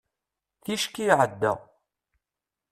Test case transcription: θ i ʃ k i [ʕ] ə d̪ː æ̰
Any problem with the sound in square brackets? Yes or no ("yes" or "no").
no